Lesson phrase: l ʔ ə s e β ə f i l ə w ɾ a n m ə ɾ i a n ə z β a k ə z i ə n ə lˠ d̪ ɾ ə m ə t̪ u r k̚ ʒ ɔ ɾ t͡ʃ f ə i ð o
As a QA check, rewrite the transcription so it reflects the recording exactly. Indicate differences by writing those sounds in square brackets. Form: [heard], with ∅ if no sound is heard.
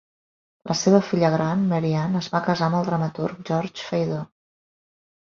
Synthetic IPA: l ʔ ə s e β ə f i [ʎ] ə [ɣ] ɾ a n m ə ɾ i a n ə z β a k ə z [a] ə [m] ə lˠ d̪ ɾ ə m ə t̪ u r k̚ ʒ ɔ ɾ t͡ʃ f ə [j] ð o